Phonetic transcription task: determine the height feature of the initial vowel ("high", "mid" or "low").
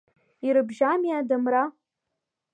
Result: high